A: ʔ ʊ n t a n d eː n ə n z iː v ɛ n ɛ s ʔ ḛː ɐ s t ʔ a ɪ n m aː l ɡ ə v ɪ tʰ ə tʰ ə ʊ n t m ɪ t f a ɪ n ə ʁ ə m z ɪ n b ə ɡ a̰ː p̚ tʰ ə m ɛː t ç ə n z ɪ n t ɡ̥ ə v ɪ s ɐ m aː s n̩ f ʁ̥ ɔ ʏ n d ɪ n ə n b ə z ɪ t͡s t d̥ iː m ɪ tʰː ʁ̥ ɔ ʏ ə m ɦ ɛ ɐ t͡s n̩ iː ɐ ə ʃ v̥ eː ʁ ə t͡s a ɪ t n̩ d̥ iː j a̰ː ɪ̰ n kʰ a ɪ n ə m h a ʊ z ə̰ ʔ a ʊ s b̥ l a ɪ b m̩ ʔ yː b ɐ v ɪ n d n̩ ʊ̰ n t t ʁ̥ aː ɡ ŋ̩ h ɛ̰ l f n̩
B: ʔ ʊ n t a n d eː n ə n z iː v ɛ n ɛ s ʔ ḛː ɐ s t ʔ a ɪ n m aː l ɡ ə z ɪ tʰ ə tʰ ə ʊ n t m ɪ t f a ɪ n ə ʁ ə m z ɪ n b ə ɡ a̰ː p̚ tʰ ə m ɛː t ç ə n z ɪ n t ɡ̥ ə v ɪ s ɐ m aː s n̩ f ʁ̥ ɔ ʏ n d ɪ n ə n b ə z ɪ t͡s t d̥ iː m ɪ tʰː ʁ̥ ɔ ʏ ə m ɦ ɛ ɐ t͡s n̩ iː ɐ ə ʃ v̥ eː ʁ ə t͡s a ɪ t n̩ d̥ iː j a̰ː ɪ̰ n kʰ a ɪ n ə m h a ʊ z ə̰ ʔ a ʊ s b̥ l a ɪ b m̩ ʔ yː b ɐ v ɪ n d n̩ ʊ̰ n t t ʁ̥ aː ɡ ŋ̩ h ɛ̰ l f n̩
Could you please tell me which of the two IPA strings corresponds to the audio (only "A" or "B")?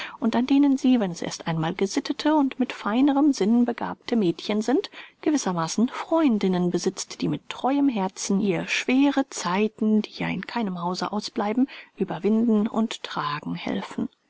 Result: B